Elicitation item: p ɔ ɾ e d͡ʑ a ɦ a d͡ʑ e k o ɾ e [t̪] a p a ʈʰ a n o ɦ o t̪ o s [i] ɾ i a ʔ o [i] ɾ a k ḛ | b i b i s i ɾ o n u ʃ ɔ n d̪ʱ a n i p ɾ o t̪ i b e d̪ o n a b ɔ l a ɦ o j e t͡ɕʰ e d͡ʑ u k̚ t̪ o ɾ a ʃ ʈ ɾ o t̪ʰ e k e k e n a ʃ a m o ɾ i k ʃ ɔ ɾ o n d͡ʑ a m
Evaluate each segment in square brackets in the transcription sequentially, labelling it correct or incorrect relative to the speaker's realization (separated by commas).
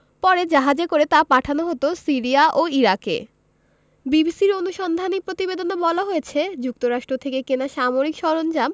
correct, correct, correct